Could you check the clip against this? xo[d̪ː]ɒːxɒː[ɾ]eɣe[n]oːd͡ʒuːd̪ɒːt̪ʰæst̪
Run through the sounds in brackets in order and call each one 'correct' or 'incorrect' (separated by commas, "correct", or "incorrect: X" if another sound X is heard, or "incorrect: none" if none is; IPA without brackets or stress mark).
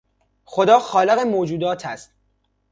incorrect: d̪, incorrect: l, incorrect: m